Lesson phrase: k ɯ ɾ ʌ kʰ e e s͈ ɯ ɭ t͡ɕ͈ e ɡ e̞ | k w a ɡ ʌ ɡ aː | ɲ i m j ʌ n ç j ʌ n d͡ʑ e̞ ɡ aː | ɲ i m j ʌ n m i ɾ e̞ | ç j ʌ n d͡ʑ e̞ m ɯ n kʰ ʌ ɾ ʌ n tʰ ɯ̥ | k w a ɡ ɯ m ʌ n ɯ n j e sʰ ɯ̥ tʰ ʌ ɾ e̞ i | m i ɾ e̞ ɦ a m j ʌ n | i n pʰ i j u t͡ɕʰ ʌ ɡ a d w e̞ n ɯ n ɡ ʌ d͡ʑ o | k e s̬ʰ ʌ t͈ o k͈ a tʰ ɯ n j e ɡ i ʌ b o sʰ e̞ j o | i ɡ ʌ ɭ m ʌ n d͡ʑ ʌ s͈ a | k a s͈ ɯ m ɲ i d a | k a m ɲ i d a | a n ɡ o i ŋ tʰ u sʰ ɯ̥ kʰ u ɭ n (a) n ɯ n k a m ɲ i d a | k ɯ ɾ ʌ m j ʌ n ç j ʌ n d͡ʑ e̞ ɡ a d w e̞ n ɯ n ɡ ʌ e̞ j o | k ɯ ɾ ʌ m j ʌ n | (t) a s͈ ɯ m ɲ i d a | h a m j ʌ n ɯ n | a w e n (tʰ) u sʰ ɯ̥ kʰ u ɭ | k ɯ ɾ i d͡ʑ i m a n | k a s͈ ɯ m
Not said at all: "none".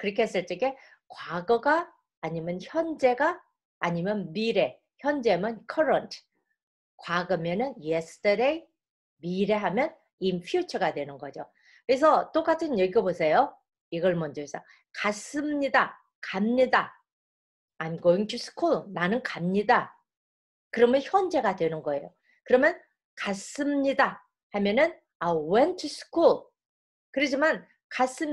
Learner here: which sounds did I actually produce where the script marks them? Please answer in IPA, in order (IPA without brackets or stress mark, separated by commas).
a, k, tʰ